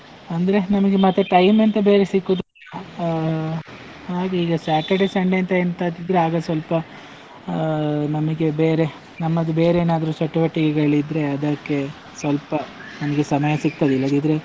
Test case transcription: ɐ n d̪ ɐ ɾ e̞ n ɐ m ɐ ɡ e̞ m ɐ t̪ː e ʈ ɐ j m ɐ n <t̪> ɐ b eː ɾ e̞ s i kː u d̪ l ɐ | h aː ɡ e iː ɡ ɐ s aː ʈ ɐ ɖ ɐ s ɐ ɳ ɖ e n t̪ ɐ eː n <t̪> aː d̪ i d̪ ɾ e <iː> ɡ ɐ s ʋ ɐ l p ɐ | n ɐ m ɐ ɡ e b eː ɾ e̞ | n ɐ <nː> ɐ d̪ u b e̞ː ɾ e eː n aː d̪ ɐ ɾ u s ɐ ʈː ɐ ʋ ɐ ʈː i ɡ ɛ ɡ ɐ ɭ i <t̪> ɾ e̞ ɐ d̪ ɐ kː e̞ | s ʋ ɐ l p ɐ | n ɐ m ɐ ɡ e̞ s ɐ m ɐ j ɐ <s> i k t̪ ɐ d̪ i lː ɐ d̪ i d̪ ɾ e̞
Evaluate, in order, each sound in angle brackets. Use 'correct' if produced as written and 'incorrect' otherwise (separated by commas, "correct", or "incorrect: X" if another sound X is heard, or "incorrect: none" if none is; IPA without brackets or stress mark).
correct, correct, incorrect: aː, incorrect: mː, incorrect: d̪, correct